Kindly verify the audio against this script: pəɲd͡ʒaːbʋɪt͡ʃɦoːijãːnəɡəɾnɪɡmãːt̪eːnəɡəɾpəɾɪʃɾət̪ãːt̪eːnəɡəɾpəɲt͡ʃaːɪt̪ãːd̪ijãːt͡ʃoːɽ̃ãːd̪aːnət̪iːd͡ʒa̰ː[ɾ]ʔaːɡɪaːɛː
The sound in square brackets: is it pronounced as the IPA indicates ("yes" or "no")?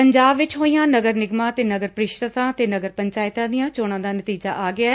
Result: no